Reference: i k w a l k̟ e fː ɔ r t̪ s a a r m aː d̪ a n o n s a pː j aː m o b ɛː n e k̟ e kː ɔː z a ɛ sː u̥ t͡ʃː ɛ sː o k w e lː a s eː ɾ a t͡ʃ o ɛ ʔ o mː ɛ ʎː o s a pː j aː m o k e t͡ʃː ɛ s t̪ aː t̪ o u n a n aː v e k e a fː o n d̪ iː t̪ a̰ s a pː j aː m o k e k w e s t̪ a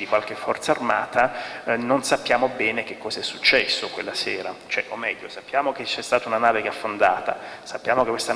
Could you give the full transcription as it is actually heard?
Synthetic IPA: i k w a l k̟ e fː ɔ r t̪ s a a r m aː t̪ a n o n s a pː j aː m o b ɛː n e k̟ e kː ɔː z a ɛ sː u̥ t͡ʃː ɛ sː o k w e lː a s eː ɾ a t͡ʃ o ɛ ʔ o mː ɛ ʎː o s a pː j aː m o k e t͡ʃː ɛ s t̪ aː t̪ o u n a n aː v e k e a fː o n d̪ aː t̪ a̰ s a pː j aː m o k e k w e s t̪ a